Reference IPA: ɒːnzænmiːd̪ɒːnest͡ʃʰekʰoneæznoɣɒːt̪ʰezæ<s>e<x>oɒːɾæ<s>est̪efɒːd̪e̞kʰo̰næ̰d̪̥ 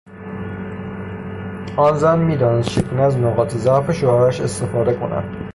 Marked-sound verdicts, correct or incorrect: incorrect, incorrect, incorrect

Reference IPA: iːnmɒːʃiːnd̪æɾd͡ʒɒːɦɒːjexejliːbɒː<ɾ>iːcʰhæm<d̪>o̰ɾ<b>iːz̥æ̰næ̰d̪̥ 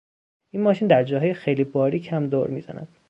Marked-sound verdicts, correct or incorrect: correct, correct, incorrect

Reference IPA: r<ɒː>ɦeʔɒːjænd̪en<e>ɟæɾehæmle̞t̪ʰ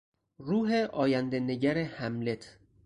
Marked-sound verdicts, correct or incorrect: incorrect, correct

